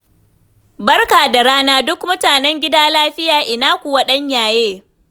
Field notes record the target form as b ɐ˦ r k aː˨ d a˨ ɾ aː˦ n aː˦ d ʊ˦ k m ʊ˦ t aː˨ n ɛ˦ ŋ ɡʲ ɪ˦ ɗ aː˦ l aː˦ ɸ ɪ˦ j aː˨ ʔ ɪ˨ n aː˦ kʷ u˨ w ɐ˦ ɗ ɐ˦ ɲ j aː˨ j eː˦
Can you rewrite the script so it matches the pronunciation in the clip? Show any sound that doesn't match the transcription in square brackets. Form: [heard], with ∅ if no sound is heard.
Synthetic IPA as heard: b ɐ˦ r k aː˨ d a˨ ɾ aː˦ n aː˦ d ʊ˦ k m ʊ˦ t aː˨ n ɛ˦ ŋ ɡʲ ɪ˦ [d] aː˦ l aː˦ ɸ ɪ˦ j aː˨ ʔ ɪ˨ n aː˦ kʷ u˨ w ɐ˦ ɗ ɐ˦ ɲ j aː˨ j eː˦